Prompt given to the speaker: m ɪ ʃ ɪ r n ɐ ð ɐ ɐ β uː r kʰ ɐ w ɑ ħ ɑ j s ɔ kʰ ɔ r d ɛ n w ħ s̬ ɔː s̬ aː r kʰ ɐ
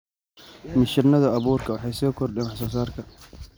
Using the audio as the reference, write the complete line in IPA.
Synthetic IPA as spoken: m ɪ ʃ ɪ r n ɐ ð ɐ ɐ β uː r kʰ ɐ w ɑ ħ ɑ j s ɔː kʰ ɔ r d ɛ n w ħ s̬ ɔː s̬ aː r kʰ ɐ